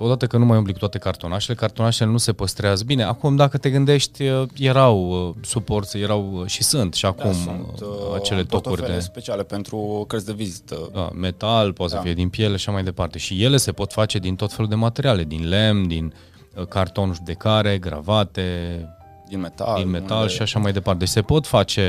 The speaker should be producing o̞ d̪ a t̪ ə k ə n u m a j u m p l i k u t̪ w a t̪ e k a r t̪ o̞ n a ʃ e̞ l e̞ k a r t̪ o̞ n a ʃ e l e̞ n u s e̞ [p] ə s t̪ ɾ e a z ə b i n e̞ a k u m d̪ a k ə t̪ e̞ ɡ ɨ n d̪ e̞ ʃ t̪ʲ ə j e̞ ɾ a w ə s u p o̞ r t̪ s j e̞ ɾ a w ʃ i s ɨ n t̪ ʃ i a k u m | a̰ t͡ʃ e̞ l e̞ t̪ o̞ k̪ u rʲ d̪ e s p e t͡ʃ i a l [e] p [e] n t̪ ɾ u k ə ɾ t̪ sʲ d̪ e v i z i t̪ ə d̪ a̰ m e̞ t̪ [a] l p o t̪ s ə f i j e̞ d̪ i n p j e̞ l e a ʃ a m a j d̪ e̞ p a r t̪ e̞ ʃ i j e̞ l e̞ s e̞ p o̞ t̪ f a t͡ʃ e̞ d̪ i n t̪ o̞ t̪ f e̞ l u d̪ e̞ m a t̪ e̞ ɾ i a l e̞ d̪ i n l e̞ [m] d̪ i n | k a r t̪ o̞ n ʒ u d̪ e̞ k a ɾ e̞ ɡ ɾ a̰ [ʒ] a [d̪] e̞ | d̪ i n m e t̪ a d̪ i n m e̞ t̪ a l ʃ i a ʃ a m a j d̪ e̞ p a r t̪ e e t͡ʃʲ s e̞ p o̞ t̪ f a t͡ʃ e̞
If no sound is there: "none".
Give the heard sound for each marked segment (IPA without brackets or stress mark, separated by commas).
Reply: p, e, e, a, m, v, t̪